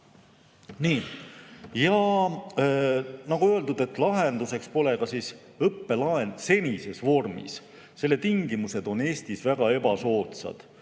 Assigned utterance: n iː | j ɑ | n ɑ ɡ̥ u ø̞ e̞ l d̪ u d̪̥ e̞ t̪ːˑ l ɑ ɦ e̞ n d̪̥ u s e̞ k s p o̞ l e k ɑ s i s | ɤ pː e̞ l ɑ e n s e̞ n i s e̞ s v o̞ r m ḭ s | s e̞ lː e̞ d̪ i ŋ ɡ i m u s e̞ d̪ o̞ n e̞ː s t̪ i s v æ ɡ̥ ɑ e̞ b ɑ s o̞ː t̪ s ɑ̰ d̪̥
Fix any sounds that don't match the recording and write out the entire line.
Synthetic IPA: n iː | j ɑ | n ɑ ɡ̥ u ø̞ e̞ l d̪ u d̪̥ e̞ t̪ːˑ l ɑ ɦ e̞ n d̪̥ u s e̞ k s p o̞ l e k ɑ s i s | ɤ pː e̞ l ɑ e n s e̞ n i s e̞ s v o̞ r m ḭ s | s e̞ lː e̞ t̪ i ŋ ɡ i m u s e̞ d̪ o̞ n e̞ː s t̪ i s v æ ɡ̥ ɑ e̞ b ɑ s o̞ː t̪ s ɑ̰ d̪̥

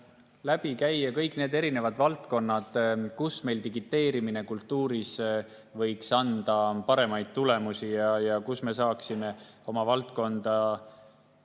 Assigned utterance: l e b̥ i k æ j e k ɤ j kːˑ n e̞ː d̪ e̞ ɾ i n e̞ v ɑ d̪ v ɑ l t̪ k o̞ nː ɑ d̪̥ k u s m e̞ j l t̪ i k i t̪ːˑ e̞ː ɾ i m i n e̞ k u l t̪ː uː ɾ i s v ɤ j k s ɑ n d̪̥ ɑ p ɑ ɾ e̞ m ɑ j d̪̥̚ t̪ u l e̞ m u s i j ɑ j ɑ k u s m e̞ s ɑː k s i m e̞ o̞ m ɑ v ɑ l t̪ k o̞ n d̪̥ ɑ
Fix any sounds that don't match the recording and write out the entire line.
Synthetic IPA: l æ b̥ i k æ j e k ɤ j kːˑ n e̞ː d̪ e̞ ɾ i n e̞ v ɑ d̪ v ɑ l t̪ k o̞ nː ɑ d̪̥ k u s m e̞ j l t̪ i ɡ i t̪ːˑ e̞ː ɾ i m i n e̞ k u l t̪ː uː ɾ i s v ɤ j k s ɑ n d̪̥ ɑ p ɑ ɾ e̞ m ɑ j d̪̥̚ t̪ u l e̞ m u s i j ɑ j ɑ k u s m e̞ s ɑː k s i m e̞ o̞ m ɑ v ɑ l t̪ k o̞ n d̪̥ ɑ

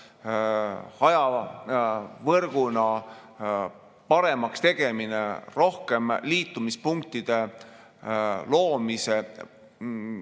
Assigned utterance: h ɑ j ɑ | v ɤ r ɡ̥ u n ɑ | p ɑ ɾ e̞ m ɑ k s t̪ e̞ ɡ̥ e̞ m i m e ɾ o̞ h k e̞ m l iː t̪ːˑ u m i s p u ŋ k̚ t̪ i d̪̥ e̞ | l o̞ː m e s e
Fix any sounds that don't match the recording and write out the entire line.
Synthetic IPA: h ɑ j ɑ | v ɤ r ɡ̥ u n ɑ | p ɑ ɾ e̞ m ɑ k s t̪ e̞ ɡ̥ e̞ m i n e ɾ o̞ h k e̞ m l iː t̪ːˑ u m i s p u ŋ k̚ t̪ i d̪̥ e̞ | l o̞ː m i s e

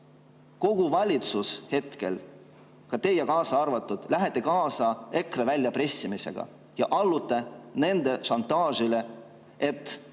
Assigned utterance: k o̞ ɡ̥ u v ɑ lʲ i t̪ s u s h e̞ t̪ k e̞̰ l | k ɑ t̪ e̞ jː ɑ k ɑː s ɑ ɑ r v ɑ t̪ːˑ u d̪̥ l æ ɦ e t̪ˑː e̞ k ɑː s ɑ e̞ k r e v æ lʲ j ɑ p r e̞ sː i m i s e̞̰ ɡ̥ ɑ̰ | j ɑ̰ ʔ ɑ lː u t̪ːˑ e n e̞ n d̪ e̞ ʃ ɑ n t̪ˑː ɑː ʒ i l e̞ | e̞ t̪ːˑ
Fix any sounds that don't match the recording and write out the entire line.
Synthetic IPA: k o̞ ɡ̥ u v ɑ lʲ i t̪ s u s h e̞ t̪ k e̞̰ l | k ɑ t̪ e̞ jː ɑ k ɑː s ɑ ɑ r v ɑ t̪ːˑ u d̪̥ l æ ɦ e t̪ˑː e̞ k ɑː s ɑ e̞ k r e v æ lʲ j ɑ p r e̞ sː i m i s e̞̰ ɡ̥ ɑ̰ | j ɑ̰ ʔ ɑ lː u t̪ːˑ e n e̞ n d̪ e̞ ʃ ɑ n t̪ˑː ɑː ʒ i l e̞ | e̞ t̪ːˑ

